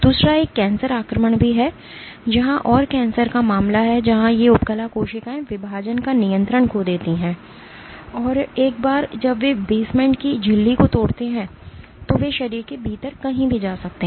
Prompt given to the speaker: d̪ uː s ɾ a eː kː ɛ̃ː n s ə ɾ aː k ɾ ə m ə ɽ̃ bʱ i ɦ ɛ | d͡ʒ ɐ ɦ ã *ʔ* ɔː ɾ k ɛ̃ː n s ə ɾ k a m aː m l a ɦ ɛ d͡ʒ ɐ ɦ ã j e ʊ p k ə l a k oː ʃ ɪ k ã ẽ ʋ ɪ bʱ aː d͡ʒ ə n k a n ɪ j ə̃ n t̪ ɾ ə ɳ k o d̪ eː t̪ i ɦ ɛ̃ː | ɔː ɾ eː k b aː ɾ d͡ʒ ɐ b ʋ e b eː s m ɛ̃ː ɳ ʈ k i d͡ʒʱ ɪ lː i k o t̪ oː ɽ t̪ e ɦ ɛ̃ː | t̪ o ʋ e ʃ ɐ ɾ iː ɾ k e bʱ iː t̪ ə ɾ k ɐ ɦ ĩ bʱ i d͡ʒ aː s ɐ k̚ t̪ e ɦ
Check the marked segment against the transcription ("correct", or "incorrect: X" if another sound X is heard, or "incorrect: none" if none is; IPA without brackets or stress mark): correct